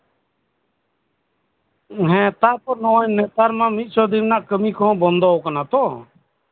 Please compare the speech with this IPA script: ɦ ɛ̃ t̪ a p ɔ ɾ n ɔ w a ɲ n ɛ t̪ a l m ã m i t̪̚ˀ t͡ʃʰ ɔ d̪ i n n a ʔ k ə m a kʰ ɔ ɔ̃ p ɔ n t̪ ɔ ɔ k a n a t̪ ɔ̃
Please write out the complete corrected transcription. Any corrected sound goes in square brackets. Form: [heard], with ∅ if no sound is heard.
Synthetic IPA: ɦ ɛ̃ t̪ a p ɔ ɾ n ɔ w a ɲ n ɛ t̪ a [ɾ] m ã m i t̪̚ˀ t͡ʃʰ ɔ d̪ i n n a ʔ k ə m [i] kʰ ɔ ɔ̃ [b] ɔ n [d̪] ɔ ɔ k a n a t̪ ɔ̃